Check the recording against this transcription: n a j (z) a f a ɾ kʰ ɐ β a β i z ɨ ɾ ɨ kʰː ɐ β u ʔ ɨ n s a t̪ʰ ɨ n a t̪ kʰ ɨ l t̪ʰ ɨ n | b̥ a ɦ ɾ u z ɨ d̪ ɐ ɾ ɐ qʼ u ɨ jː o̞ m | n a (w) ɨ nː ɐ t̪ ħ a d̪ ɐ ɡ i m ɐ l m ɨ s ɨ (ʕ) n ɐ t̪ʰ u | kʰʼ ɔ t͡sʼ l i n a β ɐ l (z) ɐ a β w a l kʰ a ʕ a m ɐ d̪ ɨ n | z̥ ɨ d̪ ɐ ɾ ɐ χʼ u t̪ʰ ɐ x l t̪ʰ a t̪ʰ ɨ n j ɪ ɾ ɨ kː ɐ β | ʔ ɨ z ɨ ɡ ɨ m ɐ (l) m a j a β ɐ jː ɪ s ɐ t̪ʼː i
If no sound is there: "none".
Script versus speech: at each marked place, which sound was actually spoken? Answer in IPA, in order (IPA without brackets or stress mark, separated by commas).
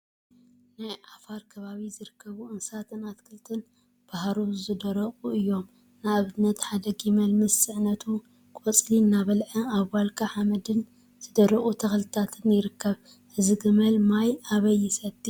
ʕ, β, ʕ, ʕ, l